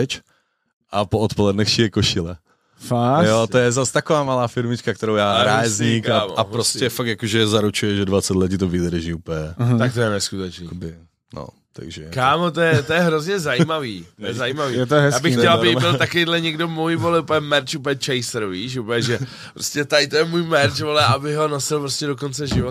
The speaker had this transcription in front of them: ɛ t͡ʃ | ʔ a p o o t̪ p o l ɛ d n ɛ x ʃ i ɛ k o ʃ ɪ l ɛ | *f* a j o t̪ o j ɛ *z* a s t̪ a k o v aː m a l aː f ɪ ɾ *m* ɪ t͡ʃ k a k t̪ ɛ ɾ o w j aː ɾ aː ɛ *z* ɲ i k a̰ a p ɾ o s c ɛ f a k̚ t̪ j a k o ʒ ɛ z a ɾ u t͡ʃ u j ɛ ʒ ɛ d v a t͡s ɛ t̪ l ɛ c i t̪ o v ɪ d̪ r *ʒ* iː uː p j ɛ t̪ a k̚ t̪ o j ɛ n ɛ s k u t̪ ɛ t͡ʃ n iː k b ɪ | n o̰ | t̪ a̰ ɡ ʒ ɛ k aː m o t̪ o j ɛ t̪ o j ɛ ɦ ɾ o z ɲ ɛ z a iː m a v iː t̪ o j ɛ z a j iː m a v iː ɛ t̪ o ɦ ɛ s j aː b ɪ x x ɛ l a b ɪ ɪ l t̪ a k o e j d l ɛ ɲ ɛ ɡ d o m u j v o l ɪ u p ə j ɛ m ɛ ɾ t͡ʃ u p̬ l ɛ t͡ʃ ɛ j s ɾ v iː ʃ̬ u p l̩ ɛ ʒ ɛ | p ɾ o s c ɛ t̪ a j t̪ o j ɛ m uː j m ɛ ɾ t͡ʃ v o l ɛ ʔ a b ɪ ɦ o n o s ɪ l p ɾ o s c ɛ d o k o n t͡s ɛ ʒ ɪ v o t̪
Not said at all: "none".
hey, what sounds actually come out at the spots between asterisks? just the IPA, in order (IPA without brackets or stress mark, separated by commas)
f, z, m, z, ʒ